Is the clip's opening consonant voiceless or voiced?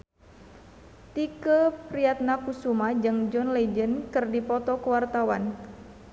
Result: voiceless